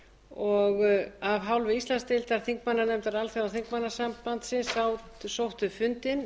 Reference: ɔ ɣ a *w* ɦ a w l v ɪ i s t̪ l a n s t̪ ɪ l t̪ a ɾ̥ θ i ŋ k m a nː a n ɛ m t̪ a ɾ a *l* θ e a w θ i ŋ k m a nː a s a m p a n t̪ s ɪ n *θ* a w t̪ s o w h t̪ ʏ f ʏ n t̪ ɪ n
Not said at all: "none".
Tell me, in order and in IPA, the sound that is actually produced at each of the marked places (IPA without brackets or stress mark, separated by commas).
v, l, s